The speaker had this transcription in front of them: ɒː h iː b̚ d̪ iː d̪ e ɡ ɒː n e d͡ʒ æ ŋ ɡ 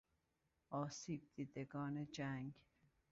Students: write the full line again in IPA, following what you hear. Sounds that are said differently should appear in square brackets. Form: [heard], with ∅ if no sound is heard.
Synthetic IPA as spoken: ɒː [s] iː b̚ d̪ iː d̪ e ɡ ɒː n e d͡ʒ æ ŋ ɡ